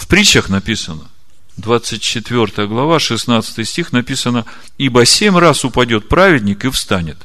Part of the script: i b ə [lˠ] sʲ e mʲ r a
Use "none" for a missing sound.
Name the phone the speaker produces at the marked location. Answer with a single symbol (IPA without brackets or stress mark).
none